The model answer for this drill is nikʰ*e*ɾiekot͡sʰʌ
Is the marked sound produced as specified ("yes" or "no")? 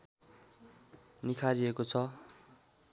no